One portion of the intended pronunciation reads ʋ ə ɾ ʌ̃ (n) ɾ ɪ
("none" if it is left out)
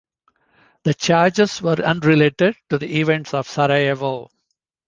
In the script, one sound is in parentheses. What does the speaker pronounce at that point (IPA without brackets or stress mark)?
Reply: n